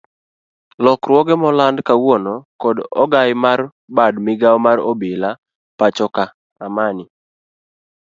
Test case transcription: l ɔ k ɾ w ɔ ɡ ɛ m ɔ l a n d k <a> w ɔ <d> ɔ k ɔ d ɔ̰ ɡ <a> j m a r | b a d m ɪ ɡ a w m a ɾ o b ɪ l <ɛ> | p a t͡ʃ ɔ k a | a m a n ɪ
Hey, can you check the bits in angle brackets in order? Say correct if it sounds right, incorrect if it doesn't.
correct, incorrect, correct, incorrect

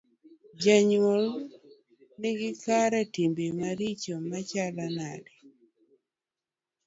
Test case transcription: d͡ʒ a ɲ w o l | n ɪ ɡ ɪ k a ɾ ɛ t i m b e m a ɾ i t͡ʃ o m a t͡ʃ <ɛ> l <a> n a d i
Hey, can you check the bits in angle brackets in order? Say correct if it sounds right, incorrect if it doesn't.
incorrect, correct

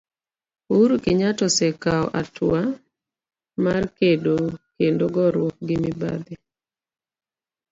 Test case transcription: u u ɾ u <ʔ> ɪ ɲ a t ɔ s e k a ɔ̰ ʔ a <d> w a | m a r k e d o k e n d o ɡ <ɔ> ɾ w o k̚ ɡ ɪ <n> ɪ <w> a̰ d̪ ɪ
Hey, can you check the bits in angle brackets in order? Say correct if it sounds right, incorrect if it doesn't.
incorrect, incorrect, correct, incorrect, incorrect

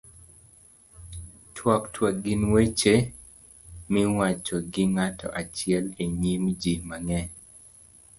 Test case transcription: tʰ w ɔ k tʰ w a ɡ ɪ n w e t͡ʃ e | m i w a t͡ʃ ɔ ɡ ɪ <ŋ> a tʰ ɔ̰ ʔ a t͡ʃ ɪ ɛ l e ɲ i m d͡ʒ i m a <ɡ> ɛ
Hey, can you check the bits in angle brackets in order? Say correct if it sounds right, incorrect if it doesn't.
correct, incorrect

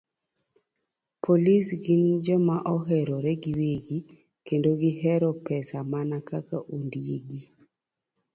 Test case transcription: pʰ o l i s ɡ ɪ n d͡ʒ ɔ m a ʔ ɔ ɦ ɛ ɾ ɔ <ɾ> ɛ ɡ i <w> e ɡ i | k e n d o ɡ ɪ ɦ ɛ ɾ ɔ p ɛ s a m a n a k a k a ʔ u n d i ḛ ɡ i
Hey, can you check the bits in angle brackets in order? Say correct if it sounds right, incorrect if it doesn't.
correct, correct

